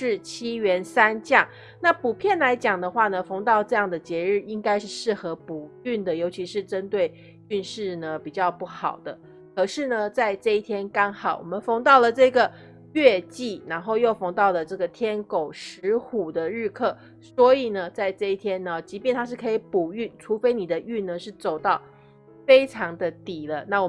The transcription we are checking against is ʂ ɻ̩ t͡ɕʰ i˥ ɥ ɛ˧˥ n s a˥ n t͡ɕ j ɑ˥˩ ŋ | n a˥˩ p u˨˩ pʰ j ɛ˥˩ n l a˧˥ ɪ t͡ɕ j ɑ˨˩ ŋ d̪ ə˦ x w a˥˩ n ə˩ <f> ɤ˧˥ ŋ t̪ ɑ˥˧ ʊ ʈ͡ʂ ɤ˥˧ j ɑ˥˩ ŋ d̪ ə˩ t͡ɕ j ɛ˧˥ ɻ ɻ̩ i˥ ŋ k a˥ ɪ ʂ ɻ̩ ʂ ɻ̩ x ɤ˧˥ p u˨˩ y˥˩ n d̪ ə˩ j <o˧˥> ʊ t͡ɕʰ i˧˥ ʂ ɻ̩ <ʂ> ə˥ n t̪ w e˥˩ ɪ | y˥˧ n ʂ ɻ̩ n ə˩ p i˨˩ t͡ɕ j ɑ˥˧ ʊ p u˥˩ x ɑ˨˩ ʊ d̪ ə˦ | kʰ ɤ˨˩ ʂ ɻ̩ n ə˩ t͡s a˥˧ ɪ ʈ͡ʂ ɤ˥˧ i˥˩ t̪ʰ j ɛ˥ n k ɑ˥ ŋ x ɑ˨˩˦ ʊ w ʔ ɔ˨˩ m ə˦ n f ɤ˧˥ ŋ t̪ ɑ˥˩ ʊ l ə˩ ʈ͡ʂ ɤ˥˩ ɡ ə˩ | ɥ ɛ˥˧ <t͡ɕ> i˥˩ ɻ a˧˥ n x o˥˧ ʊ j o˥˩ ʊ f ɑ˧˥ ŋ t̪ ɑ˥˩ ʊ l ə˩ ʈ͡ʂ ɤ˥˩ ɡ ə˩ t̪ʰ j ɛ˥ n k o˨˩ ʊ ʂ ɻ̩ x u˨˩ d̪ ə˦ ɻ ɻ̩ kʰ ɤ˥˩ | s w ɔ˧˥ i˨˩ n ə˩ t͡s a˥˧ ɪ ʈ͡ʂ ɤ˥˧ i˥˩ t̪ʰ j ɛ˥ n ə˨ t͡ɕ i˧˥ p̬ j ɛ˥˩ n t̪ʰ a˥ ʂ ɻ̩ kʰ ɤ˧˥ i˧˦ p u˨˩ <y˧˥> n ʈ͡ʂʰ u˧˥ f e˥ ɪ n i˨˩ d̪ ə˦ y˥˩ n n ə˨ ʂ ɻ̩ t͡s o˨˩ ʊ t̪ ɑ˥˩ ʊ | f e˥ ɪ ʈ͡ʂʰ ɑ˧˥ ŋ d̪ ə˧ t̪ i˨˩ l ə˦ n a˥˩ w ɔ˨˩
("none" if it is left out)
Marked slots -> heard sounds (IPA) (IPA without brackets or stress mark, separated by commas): f, o˧˥, ʈ͡ʂ, t͡ɕ, y˥˩